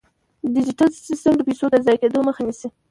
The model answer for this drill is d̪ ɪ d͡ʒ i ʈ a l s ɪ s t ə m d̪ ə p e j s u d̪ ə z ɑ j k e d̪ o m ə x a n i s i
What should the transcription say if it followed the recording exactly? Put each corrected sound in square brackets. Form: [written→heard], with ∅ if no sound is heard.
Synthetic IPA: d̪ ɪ d͡ʒ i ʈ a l s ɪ s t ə m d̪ ə p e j s [u→o] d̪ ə z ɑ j k e d̪ o m ə x a n i s i

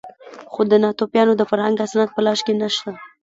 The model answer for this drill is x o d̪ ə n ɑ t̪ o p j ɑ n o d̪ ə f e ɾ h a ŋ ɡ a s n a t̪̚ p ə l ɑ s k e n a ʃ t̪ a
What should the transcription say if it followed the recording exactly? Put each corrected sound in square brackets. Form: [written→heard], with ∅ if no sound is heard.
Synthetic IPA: x o d̪ ə n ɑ t̪ o p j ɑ n o d̪ ə f [e→a] ɾ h a ŋ ɡ a s n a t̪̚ p ə l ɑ [s→ʃ] k e n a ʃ t̪ a

